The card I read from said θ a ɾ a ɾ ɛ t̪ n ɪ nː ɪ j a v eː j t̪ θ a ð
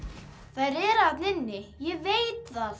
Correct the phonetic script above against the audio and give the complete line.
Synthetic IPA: θ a ɾ ɛ ɾ a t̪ n ɪ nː ɪ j ɛ v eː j t̪ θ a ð